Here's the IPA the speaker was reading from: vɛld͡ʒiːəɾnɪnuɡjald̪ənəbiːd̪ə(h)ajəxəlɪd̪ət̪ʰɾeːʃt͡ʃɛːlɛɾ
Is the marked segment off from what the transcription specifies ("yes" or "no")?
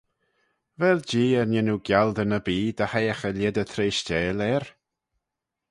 no